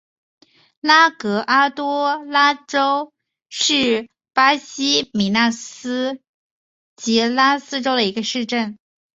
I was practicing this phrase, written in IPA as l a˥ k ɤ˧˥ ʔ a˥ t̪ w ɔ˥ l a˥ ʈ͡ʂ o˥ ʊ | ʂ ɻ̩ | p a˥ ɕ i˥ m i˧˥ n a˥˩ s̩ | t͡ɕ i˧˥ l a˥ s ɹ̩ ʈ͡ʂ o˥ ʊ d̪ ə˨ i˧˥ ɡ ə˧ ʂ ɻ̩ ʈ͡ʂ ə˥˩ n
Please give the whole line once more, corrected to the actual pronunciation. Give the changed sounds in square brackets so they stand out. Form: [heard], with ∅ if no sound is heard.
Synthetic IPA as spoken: l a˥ k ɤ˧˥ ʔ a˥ t̪ w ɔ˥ l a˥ ʈ͡ʂ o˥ ʊ | ʂ ɻ̩ | p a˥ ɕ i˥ m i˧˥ n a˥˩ s̩ | t͡ɕ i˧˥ l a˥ s ɹ̩ ʈ͡ʂ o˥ ʊ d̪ ə˨ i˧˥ ɡ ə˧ ʂ ɻ̩ ʈ͡ʂ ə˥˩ n